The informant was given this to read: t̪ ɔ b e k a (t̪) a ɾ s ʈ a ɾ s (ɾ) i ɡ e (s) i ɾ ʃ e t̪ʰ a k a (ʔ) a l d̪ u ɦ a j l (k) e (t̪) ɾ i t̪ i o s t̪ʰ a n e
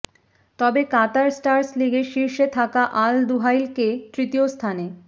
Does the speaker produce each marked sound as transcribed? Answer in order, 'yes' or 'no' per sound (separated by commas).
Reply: yes, no, no, yes, yes, yes